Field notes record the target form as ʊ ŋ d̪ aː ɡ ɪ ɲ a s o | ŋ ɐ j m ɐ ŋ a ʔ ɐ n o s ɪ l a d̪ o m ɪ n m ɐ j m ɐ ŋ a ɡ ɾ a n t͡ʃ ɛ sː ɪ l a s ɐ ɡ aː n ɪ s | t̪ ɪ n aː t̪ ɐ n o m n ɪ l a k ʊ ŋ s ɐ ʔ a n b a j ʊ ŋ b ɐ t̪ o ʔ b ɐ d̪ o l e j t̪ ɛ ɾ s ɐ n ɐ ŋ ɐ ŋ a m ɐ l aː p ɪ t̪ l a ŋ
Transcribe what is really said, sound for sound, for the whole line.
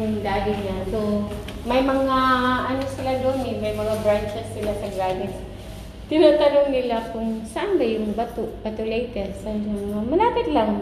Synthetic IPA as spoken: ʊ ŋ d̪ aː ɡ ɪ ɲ a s o | m ɐ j m ɐ ŋ a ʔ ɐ n o s ɪ l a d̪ o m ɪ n m ɐ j m ɐ ŋ a b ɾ a n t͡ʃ ɛ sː ɪ l a s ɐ ɡ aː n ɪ s | t̪ ɪ n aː t̪ ɐ n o ŋ n ɪ l a k ʊ ŋ s ɐ ʔ a n b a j ʊ ŋ b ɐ t̪ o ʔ b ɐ t̪ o l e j t̪ ɛ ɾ s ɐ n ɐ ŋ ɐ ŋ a m ɐ l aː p ɪ t̪ l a ŋ